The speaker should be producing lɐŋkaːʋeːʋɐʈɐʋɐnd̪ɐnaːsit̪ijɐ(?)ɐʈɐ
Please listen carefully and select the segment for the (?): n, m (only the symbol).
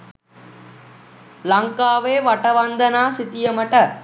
m